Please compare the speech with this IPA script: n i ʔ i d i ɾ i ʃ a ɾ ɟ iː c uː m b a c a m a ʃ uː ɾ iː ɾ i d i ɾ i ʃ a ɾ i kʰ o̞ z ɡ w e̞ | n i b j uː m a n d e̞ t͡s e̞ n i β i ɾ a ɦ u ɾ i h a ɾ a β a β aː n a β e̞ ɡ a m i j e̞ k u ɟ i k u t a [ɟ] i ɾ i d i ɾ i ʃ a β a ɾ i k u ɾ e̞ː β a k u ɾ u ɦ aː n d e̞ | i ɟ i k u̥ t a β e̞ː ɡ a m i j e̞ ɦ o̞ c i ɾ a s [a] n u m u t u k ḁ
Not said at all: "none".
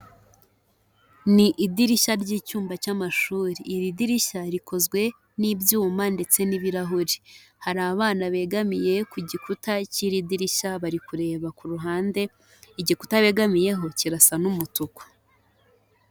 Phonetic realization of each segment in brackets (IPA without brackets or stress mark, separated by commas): c, a